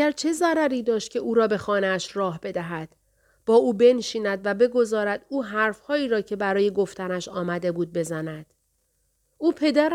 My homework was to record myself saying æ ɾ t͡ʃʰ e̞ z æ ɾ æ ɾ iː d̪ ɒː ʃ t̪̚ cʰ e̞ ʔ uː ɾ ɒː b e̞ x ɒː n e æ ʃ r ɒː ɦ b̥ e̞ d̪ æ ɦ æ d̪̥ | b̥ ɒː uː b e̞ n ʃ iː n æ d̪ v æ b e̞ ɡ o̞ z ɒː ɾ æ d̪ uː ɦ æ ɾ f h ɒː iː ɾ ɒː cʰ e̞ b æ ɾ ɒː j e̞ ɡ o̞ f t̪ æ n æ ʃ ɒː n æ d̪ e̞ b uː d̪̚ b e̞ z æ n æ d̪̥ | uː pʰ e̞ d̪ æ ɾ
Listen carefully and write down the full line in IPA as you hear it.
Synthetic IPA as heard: æ ɾ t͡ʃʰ e̞ z æ ɾ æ ɾ iː d̪ ɒː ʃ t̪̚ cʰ e̞ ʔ uː ɾ ɒː b e̞ x ɒː n e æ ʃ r ɒː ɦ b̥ e̞ d̪ æ ɦ æ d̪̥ | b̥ ɒː uː b e̞ n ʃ iː n æ d̪ v æ b e̞ ɡ o̞ z ɒː ɾ æ d̪ uː ɦ æ ɾ f h ɒː iː ɾ ɒː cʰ e̞ b æ ɾ ɒː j e̞ ɡ o̞ f t̪ æ n æ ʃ ɒː m æ d̪ e̞ b uː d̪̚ b e̞ z æ n æ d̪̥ | uː pʰ e̞ d̪ æ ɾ